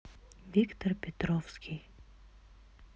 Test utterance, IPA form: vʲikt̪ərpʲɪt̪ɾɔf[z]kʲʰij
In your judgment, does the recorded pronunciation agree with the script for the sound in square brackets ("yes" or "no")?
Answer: no